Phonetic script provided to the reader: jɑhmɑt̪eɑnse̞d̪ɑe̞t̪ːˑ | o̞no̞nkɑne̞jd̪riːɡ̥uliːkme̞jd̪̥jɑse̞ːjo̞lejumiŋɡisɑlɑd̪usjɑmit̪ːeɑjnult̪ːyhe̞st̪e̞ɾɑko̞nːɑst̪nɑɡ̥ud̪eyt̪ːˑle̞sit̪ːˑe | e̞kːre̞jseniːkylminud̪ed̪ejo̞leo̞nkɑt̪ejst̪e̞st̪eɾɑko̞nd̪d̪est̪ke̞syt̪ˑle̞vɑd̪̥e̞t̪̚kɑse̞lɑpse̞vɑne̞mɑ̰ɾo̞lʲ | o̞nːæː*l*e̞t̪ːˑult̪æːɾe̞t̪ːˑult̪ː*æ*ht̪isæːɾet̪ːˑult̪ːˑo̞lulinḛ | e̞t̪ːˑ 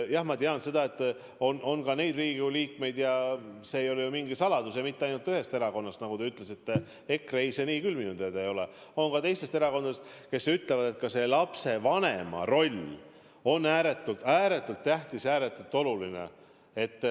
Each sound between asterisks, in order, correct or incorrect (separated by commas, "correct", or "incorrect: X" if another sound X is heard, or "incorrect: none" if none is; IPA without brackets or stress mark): incorrect: ɾ, correct